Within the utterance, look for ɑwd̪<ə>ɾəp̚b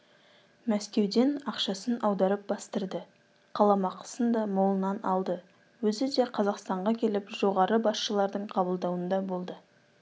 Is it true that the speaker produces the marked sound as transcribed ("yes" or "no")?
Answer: no